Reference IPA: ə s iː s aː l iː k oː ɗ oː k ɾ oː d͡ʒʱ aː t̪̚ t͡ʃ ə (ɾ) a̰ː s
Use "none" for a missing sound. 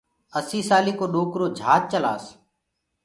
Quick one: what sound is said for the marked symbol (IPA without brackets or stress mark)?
l